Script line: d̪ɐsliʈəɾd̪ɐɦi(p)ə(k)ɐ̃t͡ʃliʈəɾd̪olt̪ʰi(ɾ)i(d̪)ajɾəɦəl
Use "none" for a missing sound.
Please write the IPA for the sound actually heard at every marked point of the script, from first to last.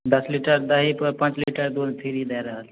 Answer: p, p, ɾ, d̪

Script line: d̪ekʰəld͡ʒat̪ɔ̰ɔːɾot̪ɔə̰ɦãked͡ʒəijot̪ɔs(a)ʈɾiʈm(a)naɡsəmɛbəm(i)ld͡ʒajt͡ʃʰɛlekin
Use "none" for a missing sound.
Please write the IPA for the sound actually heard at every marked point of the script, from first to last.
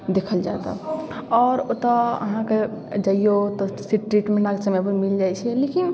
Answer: i, e, i

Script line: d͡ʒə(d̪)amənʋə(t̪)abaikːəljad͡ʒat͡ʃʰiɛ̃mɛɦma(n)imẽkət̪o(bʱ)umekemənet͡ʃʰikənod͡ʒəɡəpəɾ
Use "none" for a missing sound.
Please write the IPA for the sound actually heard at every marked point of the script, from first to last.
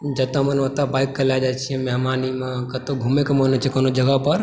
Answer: t̪, t̪, n, ɡʱ

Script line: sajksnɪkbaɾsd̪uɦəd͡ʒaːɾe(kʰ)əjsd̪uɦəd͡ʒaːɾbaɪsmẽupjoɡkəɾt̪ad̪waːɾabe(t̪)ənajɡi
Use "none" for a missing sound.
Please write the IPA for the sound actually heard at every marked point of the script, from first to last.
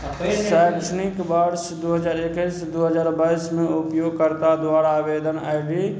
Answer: k, d̪

